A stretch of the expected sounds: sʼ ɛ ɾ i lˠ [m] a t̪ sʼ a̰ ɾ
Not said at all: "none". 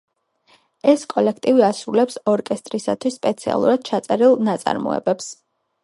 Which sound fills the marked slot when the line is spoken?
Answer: n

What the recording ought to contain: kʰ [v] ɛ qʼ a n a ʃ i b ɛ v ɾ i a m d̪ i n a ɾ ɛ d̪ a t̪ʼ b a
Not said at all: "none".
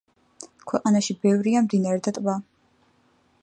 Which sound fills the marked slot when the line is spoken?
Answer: w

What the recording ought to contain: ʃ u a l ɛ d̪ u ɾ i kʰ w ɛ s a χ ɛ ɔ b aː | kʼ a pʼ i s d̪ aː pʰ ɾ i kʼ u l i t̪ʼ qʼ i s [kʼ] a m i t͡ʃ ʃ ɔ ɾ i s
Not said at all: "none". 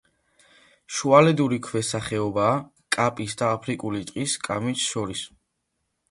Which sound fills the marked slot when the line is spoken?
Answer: kʼ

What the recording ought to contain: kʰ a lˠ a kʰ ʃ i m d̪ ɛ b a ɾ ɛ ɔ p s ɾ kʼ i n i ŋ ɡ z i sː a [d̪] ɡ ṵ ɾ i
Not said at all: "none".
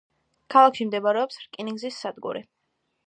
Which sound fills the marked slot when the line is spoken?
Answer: d̪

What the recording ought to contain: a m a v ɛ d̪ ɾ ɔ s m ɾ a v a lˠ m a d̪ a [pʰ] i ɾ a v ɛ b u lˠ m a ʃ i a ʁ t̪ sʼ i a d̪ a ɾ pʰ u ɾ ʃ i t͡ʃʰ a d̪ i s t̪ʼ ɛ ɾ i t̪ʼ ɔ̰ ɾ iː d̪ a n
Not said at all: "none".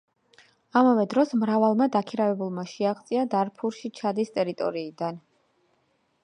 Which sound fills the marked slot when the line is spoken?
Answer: kʰ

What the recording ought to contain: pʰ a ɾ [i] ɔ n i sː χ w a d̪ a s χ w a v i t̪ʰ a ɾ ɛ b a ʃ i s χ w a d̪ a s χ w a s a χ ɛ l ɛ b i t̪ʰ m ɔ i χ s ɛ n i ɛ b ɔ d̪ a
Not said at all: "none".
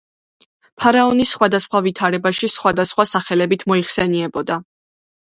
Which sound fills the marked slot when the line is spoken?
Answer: a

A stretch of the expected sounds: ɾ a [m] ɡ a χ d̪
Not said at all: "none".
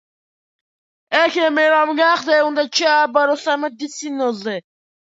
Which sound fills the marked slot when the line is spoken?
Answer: m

